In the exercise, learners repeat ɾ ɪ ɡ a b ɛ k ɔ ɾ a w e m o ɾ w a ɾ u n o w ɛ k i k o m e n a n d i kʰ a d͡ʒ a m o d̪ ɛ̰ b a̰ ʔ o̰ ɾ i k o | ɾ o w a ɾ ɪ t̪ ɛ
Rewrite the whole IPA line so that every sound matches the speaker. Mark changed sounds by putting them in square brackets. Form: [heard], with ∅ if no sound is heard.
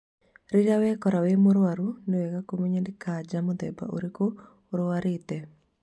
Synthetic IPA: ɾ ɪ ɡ a [w] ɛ k ɔ ɾ a w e m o ɾ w a ɾ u n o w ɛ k [a] k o m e [ɲ] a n d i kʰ a d͡ʒ a m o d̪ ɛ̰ b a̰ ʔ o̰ ɾ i k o | ɾ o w a ɾ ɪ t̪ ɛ